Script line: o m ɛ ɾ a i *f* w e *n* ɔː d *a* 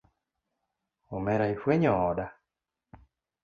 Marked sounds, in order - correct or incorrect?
correct, incorrect: ɲ, correct

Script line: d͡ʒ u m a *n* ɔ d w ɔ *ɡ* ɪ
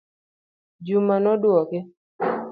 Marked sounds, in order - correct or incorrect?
correct, incorrect: k

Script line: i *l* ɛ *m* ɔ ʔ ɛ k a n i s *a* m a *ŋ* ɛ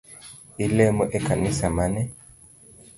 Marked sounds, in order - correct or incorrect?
correct, correct, correct, incorrect: n

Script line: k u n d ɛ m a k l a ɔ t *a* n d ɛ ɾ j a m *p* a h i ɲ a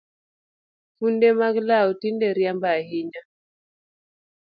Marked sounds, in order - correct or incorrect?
incorrect: i, incorrect: b

